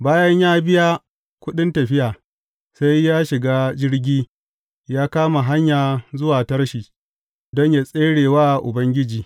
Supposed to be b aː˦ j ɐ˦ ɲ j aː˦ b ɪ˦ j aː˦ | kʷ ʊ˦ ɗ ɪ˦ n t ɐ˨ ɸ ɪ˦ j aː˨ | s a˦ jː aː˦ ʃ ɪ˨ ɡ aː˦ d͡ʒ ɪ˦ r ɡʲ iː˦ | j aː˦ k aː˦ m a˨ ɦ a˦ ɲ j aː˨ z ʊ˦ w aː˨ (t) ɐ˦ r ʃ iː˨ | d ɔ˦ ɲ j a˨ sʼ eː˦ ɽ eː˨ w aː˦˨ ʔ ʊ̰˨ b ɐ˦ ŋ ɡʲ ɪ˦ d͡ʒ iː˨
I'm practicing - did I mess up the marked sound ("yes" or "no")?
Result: no